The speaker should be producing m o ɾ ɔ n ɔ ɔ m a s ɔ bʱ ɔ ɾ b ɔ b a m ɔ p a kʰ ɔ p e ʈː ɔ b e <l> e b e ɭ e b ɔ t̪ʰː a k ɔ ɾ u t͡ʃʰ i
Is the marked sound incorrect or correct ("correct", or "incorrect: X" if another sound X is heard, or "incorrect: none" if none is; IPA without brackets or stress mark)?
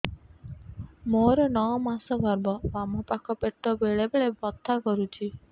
incorrect: ɭ